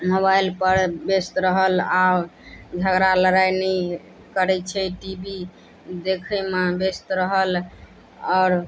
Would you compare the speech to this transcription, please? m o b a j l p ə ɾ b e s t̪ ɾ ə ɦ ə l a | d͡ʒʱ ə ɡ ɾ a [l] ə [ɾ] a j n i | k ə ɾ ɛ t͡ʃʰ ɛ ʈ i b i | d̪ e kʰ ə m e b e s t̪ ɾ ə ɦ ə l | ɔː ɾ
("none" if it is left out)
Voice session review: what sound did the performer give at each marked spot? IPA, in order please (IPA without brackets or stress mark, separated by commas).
l, ɾ